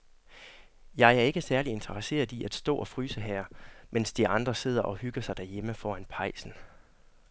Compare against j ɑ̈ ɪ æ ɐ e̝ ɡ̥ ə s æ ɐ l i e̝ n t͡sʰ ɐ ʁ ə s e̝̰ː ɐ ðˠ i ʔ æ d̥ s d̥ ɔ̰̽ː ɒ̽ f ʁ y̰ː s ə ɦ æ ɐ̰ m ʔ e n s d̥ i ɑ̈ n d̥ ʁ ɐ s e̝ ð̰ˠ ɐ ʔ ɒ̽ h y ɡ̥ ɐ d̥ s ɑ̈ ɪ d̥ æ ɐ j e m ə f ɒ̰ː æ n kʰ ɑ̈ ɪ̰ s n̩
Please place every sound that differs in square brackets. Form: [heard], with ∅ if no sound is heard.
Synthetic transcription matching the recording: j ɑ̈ ɪ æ ɐ e̝ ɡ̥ ə s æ ɐ l i e̝ n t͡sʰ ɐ ʁ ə s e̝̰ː ɐ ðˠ i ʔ æ d̥ s d̥ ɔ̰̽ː ɒ̽ f ʁ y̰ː s ə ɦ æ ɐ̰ m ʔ e n s d̥ i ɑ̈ n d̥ ʁ ɐ s e̝ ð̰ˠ ɐ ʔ ɒ̽ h y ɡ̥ ɐ [∅] s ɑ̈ ɪ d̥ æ ɐ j e m ə f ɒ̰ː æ n [pʰ] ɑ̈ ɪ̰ s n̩